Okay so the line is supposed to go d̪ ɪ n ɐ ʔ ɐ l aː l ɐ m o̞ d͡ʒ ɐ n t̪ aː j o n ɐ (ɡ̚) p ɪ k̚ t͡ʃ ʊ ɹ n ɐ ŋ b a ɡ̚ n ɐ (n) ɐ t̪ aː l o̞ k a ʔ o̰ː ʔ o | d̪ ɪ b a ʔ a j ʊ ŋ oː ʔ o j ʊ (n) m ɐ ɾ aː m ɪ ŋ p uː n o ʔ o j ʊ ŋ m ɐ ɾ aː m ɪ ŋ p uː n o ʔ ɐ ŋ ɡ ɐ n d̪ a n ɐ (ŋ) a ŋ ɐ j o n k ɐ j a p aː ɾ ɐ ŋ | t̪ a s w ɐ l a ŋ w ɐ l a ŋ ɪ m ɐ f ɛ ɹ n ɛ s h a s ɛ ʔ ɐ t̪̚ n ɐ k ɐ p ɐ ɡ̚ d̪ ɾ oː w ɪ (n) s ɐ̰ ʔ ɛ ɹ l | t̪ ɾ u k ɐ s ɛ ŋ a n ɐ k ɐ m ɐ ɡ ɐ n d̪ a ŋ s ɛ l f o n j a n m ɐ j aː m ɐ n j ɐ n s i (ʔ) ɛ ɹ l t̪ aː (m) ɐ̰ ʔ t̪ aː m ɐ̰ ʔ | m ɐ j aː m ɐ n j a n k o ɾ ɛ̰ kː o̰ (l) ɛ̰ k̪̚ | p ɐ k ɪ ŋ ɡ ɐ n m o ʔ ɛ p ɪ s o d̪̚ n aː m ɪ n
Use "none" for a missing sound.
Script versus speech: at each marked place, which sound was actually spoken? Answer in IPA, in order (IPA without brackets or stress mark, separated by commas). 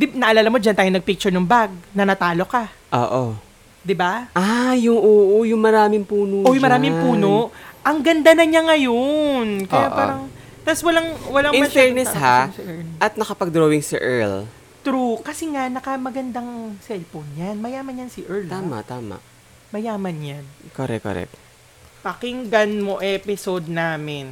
ɡ̚, n, ŋ, ɲ, ŋ, ʔ, m, ɾ